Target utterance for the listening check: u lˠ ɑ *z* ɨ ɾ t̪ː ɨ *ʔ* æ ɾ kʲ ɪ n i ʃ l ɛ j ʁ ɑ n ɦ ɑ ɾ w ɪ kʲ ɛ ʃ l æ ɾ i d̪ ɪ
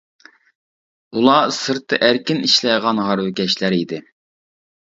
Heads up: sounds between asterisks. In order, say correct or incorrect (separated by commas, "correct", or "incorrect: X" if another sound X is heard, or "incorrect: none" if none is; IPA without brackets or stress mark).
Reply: incorrect: s, correct